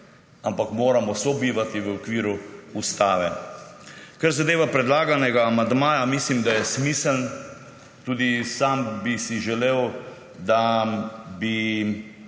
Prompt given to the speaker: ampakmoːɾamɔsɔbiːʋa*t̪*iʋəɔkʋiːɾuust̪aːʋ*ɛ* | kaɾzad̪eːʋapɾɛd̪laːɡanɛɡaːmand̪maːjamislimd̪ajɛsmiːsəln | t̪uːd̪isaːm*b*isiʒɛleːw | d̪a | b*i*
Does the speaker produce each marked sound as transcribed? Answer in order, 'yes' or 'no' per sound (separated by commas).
yes, yes, yes, yes